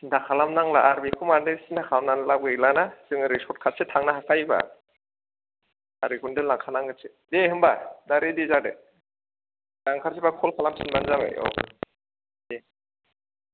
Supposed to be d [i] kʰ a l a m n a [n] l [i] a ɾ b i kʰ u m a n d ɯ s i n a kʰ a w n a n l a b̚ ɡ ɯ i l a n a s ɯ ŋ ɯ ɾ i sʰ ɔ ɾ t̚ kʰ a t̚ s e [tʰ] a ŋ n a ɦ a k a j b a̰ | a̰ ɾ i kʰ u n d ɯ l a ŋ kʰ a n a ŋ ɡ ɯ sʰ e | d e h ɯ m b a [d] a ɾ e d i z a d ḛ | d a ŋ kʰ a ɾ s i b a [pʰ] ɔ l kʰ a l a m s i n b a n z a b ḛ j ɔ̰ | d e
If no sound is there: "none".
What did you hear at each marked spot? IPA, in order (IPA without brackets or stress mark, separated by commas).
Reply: a, ŋ, a, tʰ, d, kʰ